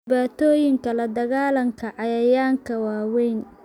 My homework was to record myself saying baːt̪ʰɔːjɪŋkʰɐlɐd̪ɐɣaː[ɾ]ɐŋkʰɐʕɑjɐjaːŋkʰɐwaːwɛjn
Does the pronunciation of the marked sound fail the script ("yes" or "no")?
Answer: yes